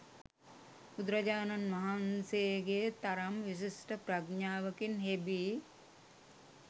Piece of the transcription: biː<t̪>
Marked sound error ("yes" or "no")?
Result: yes